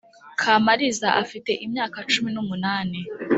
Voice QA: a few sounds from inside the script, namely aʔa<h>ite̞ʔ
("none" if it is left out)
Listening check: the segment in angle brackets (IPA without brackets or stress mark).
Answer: f